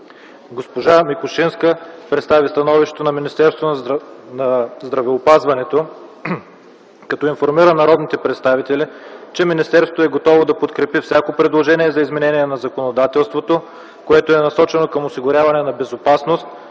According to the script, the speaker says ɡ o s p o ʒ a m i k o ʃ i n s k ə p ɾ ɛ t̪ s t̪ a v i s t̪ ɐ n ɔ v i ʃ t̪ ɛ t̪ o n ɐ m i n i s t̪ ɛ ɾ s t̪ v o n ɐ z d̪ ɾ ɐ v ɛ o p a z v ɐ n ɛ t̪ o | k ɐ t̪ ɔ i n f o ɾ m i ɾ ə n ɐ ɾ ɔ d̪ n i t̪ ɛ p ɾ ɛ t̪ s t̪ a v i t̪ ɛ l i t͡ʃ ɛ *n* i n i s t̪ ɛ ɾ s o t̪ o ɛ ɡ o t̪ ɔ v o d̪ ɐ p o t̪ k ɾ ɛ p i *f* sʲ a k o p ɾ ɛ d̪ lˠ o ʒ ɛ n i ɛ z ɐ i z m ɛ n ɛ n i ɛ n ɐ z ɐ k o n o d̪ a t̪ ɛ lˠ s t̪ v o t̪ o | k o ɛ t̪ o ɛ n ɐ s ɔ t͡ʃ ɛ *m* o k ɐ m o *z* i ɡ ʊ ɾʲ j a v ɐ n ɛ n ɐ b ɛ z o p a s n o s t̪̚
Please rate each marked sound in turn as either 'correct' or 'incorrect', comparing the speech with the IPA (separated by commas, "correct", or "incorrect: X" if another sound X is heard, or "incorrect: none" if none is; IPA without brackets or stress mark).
incorrect: m, correct, incorrect: n, incorrect: s